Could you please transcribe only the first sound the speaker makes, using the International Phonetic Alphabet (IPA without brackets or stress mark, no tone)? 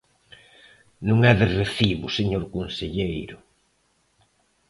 n